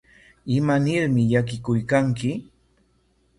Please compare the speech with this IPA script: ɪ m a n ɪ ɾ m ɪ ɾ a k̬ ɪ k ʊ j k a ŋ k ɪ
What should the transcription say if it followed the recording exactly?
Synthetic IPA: ɪ m a n ɪ ɾ m ɪ ʎ a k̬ ɪ k ʊ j k a ŋ k ɪ